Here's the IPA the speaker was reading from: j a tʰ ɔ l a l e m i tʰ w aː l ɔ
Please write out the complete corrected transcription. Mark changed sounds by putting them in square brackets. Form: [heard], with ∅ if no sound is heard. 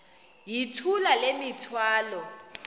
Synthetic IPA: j [i] tʰ [u] l a l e m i tʰ w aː l ɔ